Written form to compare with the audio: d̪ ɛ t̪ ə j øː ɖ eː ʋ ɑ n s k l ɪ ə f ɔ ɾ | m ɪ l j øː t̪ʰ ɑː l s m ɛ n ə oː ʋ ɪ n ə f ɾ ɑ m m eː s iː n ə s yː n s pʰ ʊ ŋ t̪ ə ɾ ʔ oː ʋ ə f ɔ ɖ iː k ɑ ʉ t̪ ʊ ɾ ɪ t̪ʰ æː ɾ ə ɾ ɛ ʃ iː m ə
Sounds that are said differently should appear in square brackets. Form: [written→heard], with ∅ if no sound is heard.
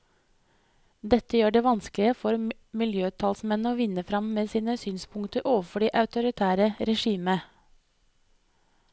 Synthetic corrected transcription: d̪ ɛ t̪ ə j øː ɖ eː ʋ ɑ n s k l ɪ ə f ɔ ɾ | m ɪ l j øː t̪ʰ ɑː l s m ɛ n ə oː ʋ ɪ n ə f ɾ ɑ m m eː s iː n ə s yː n s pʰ ʊ ŋ t̪ ə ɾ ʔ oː ʋ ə f ɔ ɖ iː [k→ʔ] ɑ ʉ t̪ ʊ ɾ ɪ t̪ʰ æː ɾ ə ɾ ɛ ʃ iː m ə